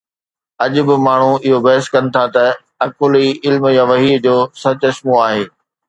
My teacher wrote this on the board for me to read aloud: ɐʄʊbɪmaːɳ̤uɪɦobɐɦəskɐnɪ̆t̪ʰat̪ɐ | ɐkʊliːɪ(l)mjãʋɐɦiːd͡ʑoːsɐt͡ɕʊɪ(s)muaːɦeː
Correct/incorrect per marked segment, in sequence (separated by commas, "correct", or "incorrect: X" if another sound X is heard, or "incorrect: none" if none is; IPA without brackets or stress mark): correct, correct